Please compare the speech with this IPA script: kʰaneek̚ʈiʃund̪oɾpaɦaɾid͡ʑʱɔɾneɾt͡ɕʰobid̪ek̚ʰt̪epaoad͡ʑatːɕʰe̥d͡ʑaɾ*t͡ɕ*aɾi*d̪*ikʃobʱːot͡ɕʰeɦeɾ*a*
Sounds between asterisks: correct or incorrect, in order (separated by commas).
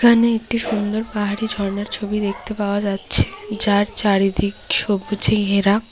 correct, correct, correct